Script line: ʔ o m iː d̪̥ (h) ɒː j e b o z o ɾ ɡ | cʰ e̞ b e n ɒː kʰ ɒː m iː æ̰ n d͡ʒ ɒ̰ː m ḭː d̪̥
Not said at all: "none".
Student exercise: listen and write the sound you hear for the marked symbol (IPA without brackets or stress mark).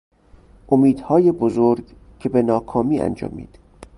h